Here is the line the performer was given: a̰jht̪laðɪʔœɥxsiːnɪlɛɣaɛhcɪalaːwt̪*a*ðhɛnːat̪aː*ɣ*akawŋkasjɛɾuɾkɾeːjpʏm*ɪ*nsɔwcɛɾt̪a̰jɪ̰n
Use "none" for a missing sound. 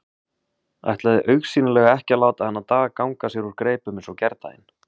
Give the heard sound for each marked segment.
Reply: a, ɣ, ɪ

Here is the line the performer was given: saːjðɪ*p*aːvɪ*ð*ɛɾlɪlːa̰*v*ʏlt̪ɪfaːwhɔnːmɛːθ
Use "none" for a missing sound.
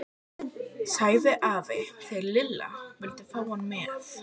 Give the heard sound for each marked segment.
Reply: ʔ, θ, v

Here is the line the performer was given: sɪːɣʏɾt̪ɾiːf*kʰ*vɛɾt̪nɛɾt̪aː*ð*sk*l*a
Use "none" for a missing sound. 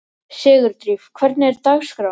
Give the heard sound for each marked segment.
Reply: kʰ, ɣ, ɾ

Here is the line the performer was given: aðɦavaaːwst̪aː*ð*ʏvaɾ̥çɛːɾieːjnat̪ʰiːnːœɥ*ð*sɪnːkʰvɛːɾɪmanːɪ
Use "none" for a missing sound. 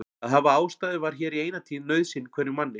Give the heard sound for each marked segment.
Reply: ð, ð

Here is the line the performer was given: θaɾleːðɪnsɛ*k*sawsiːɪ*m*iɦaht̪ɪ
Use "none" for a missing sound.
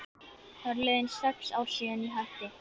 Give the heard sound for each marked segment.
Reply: k, n

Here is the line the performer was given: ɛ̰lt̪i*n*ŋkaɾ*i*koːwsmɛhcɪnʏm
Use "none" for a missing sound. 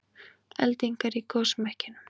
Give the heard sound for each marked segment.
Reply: none, i

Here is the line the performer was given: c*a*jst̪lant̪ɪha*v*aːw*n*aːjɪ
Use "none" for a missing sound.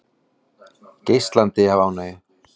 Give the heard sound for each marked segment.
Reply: e, v, n

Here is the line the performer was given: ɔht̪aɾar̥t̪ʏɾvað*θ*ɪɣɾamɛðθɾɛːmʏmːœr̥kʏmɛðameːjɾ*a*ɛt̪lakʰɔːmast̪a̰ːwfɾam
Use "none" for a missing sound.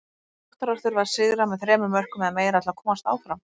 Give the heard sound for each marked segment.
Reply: s, a

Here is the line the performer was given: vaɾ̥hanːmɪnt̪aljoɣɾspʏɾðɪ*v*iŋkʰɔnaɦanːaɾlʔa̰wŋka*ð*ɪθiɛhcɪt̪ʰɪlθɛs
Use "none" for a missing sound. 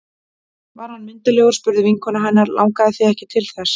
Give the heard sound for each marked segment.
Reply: v, ð

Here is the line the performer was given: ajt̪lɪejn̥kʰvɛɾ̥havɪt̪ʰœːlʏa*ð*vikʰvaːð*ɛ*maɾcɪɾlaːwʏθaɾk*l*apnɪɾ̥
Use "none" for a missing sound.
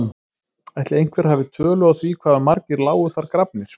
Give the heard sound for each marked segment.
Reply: θ, a, ɾ

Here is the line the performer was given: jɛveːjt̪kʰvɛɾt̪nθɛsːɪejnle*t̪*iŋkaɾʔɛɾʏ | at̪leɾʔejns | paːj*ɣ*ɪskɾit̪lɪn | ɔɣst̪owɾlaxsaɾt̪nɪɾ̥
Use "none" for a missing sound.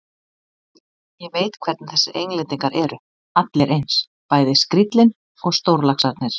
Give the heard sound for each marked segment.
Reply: t̪, ð

